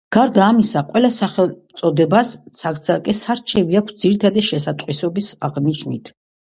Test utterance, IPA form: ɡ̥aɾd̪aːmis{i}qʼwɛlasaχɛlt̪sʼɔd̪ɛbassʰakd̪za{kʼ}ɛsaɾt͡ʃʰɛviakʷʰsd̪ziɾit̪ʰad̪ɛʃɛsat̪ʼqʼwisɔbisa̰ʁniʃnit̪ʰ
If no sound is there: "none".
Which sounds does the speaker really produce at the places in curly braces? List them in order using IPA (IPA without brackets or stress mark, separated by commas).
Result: a, kʼ